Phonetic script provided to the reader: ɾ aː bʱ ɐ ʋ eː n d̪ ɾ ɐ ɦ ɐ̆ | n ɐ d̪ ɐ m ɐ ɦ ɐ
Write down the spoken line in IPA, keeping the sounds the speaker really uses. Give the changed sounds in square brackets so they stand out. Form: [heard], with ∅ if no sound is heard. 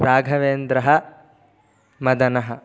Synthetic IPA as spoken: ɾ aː [ɡʱ] ɐ ʋ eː n d̪ ɾ ɐ ɦ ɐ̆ | [m] ɐ d̪ ɐ [n] ɐ ɦ ɐ